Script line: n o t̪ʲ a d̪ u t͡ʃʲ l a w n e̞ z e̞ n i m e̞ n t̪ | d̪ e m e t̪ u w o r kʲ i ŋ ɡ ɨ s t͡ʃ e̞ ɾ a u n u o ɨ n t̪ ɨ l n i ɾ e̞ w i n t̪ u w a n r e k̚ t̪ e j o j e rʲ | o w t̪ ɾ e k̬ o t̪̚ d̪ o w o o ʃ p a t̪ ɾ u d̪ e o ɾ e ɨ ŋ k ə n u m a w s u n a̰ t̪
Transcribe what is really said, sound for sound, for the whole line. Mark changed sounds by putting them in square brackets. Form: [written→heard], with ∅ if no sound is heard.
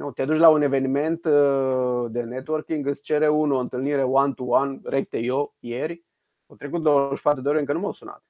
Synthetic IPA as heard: n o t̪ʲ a d̪ u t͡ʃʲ l a [w→u] n e̞ [z→v] e̞ n i m e̞ n t̪ | d̪ e [m→n] e t̪ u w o r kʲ i ŋ ɡ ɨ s t͡ʃ e̞ ɾ [a→e] u n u o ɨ n t̪ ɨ l n i ɾ e̞ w [i→a] n t̪ u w a n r e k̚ t̪ e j o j e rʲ | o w t̪ ɾ e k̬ [o→u] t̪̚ d̪ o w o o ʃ p a t̪ ɾ u d̪ e o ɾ e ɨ ŋ k ə n u m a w s u n a̰ t̪